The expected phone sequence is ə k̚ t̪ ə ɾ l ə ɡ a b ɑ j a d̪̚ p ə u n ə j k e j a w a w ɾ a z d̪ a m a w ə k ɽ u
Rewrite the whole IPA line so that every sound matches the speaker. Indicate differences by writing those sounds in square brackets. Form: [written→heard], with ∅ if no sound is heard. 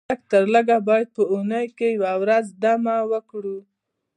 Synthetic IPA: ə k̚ t̪ ə ɾ l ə ɡ a b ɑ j a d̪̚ p ə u n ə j k e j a w a w ɾ a z d̪ a m a w ə k ɽ u